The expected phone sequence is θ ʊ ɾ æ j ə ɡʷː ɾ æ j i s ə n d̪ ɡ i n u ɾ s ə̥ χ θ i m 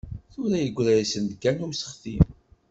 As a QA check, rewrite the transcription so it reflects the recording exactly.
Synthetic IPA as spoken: θ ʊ ɾ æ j ə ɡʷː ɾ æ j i s ə n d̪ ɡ æ n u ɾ s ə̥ χ θ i m